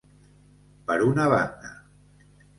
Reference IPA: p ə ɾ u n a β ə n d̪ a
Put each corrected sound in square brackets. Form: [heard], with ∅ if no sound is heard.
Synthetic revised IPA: p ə ɾ u n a β [a] n d̪ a